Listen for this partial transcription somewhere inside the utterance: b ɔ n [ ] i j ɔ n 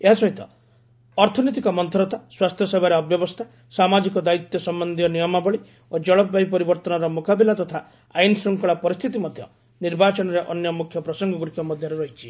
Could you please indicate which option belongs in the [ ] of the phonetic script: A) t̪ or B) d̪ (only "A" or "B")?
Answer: B